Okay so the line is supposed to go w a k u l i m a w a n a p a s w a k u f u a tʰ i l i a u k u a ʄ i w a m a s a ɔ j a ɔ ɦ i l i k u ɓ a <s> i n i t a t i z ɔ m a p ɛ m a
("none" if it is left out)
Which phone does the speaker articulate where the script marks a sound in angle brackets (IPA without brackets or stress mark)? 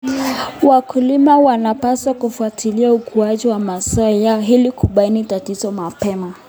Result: none